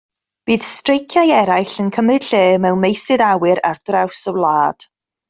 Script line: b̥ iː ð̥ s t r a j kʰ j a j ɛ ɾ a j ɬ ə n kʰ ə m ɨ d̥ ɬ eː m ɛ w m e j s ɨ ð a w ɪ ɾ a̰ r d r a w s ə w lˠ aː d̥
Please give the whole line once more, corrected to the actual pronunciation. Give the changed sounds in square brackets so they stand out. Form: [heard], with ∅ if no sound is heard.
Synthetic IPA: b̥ iː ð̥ s t r [e] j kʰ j a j ɛ ɾ a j ɬ ə n kʰ ə m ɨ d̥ ɬ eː m ɛ w m e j s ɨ ð a w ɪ ɾ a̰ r d r a w s ə w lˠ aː d̥